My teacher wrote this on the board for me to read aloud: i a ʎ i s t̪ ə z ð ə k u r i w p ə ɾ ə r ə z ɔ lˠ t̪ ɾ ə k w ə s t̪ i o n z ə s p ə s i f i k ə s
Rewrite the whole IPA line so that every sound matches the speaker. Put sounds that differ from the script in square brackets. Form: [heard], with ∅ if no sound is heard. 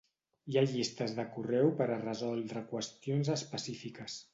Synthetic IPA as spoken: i a ʎ i s t̪ ə z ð ə k u r [ɛ] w p ə ɾ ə r ə z ɔ lˠ [d̪] ɾ ə k w ə s t̪ i o n z ə s p ə s i f i k ə s